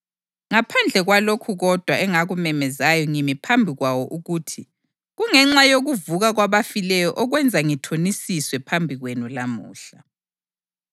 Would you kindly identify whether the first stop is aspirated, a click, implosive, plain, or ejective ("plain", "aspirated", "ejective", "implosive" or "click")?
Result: aspirated